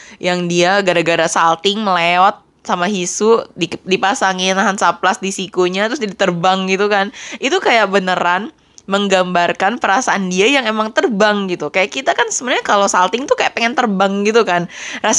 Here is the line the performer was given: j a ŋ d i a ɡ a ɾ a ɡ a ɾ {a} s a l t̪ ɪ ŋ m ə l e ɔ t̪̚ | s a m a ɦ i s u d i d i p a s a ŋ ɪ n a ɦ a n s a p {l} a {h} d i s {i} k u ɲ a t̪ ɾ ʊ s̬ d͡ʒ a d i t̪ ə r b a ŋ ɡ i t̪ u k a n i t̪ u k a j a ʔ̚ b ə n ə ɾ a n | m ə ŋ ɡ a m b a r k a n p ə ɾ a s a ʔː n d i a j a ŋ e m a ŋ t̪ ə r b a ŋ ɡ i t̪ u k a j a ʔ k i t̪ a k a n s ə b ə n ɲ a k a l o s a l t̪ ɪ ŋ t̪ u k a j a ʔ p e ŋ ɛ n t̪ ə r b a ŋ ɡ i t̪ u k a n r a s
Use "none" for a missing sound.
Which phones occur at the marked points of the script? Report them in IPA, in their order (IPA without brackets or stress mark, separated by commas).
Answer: a, l, s, i